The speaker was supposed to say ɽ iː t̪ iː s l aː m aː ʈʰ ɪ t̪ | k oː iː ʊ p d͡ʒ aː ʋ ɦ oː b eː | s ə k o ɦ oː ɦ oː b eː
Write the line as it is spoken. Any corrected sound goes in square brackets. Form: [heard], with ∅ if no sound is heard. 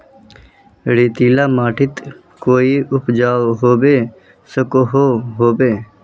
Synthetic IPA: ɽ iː t̪ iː [∅] l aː m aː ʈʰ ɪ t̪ | k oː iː ʊ p d͡ʒ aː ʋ ɦ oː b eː | s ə k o ɦ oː ɦ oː b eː

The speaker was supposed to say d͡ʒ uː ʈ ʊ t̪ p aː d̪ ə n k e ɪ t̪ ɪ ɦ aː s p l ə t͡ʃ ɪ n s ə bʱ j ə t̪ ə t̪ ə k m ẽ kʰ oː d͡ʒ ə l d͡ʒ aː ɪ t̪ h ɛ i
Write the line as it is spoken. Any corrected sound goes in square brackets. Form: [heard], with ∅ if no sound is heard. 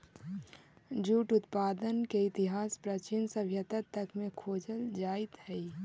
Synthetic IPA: d͡ʒ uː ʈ ʊ t̪ p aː d̪ ə n k e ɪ t̪ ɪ ɦ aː s p [ɾ] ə t͡ʃ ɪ n s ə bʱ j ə t̪ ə t̪ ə k m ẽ kʰ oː d͡ʒ ə l d͡ʒ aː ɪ t̪ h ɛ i

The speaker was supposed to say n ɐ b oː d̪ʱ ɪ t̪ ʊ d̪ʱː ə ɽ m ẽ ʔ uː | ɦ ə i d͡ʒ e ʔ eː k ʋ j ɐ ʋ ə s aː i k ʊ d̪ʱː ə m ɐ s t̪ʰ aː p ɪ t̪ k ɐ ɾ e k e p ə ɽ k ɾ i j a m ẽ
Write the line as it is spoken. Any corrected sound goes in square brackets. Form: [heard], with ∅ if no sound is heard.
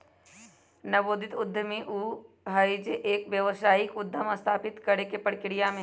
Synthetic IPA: n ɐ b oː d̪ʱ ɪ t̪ ʊ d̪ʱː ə [∅] m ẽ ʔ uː | ɦ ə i d͡ʒ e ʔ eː k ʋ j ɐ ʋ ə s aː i k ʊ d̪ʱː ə m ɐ s t̪ʰ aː p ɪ t̪ k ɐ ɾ e k e p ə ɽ k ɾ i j a m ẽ

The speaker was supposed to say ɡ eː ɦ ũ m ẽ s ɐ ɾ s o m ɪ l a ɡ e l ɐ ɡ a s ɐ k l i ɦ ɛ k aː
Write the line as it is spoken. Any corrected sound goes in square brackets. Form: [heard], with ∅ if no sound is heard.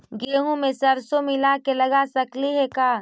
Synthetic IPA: ɡ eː ɦ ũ m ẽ s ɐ ɾ s o m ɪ l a [k] e l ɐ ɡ a s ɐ k l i ɦ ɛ k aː

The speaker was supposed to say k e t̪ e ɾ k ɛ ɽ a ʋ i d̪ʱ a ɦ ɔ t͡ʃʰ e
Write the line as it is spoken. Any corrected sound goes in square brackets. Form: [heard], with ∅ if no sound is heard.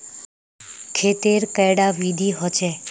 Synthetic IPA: [kʰ] e t̪ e ɾ k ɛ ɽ a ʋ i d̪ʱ [i] ɦ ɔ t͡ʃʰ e

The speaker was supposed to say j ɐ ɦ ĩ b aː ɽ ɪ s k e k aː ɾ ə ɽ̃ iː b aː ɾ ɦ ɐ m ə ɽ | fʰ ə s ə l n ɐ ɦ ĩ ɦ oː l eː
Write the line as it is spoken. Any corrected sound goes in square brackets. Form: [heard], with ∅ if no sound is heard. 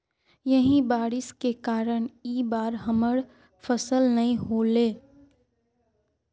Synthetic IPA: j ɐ ɦ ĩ b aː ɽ ɪ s k e k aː ɾ ə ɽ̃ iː b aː ɾ ɦ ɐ m ə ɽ | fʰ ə s ə l n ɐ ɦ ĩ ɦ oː l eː

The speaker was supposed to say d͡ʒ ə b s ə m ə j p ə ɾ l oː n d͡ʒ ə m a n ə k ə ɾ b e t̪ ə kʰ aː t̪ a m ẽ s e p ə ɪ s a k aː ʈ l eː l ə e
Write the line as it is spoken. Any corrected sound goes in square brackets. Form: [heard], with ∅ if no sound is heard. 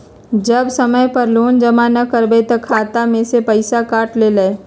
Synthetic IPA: d͡ʒ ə b s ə m ə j p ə ɾ l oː n d͡ʒ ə m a n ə k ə ɾ b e t̪ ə kʰ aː t̪ a m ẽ s e p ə ɪ s a k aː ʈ l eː l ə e

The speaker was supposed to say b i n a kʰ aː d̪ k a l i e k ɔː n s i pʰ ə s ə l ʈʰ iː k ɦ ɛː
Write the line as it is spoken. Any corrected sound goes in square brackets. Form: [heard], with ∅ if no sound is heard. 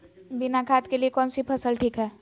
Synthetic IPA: b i n a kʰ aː [t̪] k [e] l i e k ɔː n s i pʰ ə s ə l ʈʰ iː k ɦ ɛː

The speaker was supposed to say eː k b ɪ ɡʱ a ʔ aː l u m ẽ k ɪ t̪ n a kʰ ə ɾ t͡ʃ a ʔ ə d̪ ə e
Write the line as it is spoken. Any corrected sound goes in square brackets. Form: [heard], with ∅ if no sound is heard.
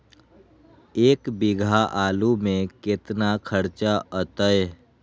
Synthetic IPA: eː k b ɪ ɡʱ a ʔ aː l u m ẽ k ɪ t̪ n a kʰ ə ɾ t͡ʃ a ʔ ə [t̪] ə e

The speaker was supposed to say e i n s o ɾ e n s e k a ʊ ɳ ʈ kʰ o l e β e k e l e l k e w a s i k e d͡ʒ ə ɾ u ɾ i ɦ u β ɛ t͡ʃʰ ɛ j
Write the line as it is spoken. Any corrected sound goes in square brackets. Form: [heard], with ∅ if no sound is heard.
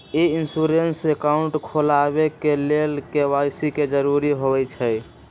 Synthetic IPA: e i n s [u] ɾ e n s e k a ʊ ɳ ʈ kʰ o l [a] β e k e l e l k e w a s i k e d͡ʒ ə ɾ u ɾ i ɦ [o] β ɛ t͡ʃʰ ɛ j

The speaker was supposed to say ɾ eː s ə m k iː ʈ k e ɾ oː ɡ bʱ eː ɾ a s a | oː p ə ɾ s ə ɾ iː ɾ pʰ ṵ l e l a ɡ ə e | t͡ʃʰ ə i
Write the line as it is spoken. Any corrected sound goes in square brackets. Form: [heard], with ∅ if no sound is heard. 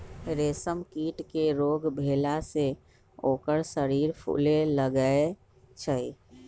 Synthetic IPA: ɾ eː s ə m k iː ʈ k e ɾ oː ɡ bʱ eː [l] a s [e] | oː [k] ə ɾ s ə ɾ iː ɾ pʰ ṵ l e l [ə] ɡ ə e | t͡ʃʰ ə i

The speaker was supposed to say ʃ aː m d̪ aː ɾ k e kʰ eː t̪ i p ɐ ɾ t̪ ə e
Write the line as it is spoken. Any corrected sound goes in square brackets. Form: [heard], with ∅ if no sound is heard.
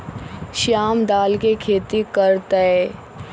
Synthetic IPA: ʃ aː m d̪ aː [l] k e kʰ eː t̪ i [k] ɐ ɾ t̪ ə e

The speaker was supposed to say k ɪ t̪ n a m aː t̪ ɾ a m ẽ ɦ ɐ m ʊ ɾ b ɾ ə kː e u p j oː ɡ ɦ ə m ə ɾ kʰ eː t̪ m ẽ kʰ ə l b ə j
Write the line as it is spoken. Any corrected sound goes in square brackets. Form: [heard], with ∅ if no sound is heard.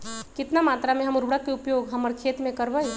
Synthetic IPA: k ɪ t̪ n a m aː t̪ ɾ a m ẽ ɦ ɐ m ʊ ɾ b [ɽ] ə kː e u p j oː ɡ ɦ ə m ə ɾ kʰ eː t̪ m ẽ [k] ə [ɾ] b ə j

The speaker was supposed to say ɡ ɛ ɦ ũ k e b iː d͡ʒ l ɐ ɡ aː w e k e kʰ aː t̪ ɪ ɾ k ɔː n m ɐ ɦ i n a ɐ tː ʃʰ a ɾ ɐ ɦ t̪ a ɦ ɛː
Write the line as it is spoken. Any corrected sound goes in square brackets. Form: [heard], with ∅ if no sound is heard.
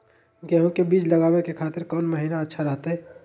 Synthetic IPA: ɡ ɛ ɦ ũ k e b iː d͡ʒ l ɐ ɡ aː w e k e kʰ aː t̪ ɪ ɾ k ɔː n m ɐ ɦ [iː] n a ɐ tː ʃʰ a ɾ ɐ ɦ t̪ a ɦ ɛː

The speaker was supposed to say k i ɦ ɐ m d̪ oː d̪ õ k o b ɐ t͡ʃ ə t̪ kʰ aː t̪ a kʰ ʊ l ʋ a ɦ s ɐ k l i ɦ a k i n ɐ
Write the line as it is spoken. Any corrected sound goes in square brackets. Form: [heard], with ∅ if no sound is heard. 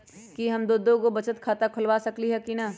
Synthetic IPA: k i ɦ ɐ m d̪ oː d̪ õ k o b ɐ t͡ʃ ə t̪ kʰ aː t̪ a kʰ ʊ l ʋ a [∅] s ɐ k l i ɦ [ɛ] k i n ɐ

